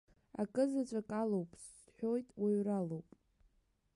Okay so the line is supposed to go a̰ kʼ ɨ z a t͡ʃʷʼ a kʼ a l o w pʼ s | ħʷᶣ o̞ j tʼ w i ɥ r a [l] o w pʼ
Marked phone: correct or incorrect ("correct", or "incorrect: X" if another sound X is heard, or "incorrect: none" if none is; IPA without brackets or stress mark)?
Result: correct